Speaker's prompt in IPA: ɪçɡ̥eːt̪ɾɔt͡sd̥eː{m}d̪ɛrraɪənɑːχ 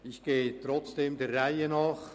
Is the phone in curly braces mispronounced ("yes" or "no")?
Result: no